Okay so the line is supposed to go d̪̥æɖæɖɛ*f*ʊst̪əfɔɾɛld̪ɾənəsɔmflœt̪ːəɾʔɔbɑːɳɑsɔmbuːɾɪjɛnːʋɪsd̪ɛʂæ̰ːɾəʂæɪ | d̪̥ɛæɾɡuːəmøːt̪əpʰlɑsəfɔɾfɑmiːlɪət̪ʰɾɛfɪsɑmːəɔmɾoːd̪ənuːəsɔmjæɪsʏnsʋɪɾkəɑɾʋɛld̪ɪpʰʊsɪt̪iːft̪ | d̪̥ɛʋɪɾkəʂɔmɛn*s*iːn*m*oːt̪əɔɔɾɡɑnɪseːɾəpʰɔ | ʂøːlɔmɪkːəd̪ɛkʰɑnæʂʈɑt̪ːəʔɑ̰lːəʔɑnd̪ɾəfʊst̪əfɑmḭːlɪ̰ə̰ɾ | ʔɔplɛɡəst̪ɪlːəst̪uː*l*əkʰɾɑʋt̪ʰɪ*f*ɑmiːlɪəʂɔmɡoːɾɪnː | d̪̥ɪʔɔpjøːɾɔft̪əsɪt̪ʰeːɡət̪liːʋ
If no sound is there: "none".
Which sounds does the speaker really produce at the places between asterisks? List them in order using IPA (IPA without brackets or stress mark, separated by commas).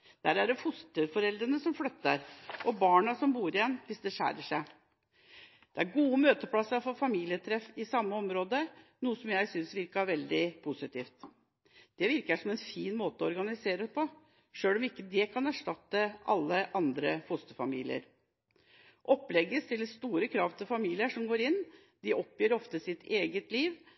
f, f, m, ɾ, f